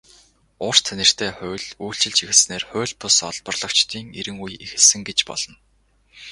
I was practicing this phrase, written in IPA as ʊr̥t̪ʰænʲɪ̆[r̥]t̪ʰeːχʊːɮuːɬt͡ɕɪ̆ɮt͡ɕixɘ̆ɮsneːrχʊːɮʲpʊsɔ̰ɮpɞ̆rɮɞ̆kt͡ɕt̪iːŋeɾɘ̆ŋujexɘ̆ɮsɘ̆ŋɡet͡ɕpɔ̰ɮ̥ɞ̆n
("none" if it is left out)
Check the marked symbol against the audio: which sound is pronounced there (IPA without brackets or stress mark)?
r̥